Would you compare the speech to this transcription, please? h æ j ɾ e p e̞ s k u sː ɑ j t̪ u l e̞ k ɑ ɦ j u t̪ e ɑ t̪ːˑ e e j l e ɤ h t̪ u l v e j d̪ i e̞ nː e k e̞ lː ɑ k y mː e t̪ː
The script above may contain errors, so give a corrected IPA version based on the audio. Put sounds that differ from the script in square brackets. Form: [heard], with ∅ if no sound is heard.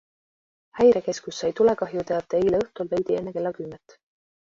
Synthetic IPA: h æ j ɾ e [k] e̞ s k u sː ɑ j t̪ u l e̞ k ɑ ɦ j u t̪ e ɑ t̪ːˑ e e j l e ɤ h t̪ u l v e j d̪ i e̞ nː e k e̞ lː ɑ k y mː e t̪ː